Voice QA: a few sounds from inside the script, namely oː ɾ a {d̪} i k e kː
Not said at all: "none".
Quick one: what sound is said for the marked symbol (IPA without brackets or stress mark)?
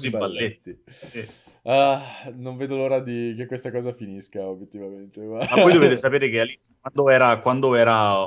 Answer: d̪